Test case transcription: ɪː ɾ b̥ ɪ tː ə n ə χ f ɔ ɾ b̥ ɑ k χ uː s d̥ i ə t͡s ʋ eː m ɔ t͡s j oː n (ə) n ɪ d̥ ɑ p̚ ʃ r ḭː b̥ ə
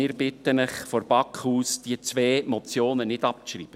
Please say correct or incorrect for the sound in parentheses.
correct